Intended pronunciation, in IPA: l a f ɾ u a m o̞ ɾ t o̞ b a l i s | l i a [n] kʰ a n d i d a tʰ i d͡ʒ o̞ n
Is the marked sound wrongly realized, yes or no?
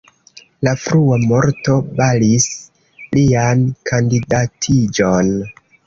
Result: no